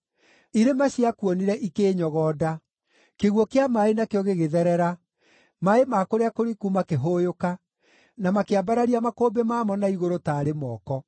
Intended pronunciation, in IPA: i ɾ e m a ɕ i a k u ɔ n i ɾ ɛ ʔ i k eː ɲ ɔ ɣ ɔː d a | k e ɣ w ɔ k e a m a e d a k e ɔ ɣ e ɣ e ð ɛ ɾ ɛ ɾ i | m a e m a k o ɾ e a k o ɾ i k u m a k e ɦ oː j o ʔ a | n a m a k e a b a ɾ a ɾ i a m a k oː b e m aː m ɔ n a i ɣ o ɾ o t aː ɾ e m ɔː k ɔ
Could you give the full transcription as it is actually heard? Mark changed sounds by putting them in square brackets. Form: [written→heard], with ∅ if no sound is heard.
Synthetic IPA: i ɾ e m a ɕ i a k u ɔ n i ɾ ɛ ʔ i k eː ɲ ɔ ɣ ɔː d a | k e ɣ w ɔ k e a m a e [d→n] a k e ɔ ɣ e ɣ e ð ɛ ɾ ɛ ɾ [i→a] | m a e m a k o ɾ e a k o ɾ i k u m a k e ɦ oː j o [ʔ→k] a | n a m a k e a b a ɾ a ɾ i a m a k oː b e m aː m ɔ n a i ɣ o ɾ o t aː ɾ e m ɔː k ɔ